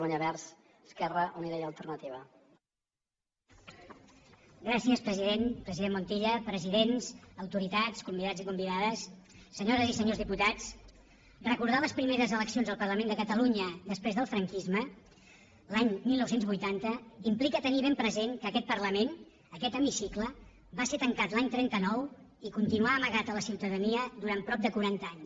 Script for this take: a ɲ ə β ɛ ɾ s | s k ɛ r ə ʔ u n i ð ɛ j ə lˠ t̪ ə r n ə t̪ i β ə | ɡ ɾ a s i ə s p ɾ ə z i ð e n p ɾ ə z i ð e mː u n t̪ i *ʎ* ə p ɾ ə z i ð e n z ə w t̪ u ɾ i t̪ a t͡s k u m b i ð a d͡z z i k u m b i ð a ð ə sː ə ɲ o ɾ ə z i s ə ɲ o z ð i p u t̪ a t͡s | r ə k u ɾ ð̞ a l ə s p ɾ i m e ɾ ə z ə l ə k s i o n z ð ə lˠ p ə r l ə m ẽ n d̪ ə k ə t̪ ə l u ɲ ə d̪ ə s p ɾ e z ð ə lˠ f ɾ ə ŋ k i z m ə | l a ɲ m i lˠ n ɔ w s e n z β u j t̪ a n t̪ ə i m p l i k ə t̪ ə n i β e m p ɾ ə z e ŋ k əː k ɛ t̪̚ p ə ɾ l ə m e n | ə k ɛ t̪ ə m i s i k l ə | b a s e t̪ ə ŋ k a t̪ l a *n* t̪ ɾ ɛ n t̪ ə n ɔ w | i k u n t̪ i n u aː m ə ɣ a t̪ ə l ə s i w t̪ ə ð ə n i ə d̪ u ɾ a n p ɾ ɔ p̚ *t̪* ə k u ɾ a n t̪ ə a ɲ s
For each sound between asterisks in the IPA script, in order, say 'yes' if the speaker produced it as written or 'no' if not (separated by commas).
yes, no, no